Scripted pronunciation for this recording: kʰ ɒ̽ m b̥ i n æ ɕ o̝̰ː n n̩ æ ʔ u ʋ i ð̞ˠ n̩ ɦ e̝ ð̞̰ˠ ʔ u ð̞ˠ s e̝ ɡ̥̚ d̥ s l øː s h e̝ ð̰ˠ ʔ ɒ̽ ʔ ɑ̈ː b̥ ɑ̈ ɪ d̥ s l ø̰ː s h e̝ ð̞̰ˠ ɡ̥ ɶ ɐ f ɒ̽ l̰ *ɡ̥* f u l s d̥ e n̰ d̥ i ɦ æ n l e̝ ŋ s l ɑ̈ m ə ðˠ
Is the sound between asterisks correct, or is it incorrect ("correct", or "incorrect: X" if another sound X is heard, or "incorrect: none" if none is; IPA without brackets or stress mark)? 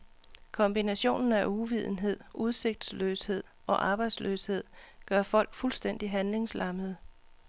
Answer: correct